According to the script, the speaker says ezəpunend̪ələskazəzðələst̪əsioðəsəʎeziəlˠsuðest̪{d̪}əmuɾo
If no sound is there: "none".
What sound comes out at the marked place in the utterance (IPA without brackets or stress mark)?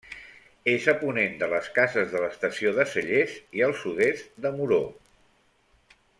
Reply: d̪